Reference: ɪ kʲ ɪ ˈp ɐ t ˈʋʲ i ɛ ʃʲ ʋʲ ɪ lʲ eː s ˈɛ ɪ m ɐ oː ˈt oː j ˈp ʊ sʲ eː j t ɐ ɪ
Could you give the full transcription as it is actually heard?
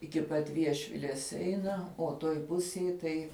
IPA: ɪ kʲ ɪ ˈp ɐ t ˈʋʲ i ɛ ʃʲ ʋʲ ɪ lʲ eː s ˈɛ ɪ n ɐ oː ˈt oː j ˈp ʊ sʲ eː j t ɐ ɪ

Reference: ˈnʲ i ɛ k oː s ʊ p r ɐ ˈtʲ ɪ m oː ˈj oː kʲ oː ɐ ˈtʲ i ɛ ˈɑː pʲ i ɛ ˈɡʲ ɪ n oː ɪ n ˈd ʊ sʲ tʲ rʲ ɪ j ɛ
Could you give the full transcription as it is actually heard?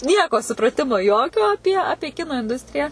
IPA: ˈnʲ i ɛ k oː s ʊ p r ɐ ˈtʲ ɪ m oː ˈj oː kʲ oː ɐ ˈpʲ i ɛ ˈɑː pʲ i ɛ ˈkʲ ɪ n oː ɪ n ˈd ʊ sʲ tʲ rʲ ɪ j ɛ

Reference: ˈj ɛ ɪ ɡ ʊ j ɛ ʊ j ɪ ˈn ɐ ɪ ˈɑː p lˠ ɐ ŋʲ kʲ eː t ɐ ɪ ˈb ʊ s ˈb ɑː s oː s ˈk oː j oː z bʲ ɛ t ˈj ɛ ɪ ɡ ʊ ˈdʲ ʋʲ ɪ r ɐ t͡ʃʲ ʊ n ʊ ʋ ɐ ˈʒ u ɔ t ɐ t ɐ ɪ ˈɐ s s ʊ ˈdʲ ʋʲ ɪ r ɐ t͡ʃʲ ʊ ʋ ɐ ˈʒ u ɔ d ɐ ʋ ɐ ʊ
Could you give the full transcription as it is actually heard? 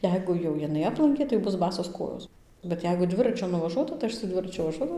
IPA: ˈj ɛ ɪ ɡ ʊ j ɛ ʊ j ɪ ˈn ɐ ɪ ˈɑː p lˠ ɐ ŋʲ kʲ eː t ɐ ɪ ˈb ʊ s ˈb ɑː s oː s ˈk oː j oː s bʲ ɛ t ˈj ɛ ɪ ɡ ʊ ˈdʲ ʋʲ ɪ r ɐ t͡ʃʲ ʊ n ʊ ʋ ɐ ˈʒ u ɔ t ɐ t ɐ ɪ ˈɐ ʃ s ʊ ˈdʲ ʋʲ ɪ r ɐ t͡ʃʲ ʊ ʋ ɐ ˈʒ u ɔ d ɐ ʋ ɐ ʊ

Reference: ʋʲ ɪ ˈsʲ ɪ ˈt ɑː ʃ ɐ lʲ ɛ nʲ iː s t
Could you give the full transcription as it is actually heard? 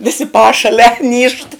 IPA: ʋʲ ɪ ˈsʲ ɪ ˈp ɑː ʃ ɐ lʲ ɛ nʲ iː ʃ t

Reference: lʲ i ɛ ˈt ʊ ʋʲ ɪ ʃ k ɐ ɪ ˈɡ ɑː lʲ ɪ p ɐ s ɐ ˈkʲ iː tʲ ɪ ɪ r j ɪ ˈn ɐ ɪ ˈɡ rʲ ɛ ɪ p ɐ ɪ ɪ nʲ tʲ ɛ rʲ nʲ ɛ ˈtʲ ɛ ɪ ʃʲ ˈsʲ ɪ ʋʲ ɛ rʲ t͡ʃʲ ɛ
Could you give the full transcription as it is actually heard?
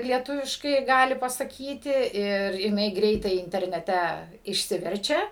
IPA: lʲ i ɛ ˈt ʊ ʋʲ ɪ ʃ k ɐ ɪ ˈɡ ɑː lʲ ɪ p ɐ s ɐ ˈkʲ iː tʲ ɪ ɪ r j ɪ ˈn ɐ ɪ ˈɡ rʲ ɛ ɪ t ɐ ɪ ɪ nʲ tʲ ɛ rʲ nʲ ɛ ˈtʲ ɛ ɪ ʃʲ ˈsʲ ɪ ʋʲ ɛ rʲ t͡ʃʲ ɛ

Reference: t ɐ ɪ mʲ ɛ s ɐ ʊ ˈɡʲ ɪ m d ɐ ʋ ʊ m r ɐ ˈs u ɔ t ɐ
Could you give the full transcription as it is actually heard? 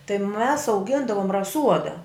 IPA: t ɐ ɪ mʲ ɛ s ɐ ʊ ˈɡʲ ɪ n d ɐ ʋ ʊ m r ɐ ˈs u ɔ d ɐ

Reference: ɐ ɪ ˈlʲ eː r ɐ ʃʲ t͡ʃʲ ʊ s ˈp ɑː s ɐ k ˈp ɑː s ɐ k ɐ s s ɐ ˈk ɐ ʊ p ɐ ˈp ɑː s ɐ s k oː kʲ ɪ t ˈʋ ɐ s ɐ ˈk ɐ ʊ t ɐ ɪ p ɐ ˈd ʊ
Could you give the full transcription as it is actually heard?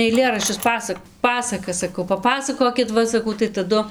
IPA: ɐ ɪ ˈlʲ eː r ɐ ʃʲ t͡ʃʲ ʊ s ˈp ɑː s ɐ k ˈp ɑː s ɐ k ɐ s s ɐ ˈk ɐ ʊ p ɐ ˈp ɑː s ɐ k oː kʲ ɪ t ˈʋ ɐ s ɐ ˈk ɐ ʊ t ɐ ɪ t ɐ ˈd ʊ

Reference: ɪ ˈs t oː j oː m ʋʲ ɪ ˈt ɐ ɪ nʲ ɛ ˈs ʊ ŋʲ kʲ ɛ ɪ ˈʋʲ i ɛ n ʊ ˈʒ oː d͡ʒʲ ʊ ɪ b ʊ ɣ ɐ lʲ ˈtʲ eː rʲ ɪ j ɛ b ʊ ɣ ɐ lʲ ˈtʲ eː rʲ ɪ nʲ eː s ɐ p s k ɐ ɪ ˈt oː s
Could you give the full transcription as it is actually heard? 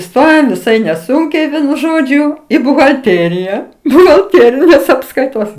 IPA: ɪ ˈs t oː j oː m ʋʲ ɪ ˈs ɐ ɪ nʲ ɛ ˈs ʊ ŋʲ kʲ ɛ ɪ ˈʋʲ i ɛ n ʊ ˈʒ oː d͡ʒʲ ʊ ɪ b ʊ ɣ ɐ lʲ ˈtʲ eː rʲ ɪ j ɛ b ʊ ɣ ɐ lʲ ˈtʲ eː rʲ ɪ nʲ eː s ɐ p s k ɐ ɪ ˈt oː s

